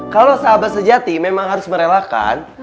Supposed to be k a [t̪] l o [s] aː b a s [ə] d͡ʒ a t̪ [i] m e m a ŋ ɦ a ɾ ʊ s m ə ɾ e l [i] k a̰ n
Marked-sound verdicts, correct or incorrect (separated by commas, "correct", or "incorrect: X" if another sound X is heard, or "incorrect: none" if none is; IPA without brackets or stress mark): incorrect: none, correct, correct, correct, incorrect: a